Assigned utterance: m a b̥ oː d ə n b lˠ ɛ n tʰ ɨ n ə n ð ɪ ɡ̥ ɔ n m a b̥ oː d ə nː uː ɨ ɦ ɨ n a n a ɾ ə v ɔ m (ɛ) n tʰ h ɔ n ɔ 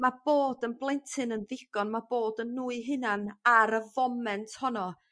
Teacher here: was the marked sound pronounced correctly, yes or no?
yes